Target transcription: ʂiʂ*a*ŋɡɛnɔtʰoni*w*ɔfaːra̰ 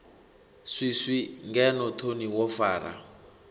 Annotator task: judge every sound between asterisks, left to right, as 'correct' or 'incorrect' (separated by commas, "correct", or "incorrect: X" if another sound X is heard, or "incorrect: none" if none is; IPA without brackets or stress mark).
incorrect: i, correct